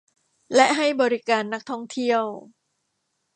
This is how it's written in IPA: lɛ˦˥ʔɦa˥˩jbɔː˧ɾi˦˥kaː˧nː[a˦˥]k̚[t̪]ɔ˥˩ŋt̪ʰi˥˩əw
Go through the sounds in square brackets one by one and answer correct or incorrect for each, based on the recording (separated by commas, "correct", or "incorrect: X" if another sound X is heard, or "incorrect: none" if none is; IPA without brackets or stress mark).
correct, incorrect: t̪ʰ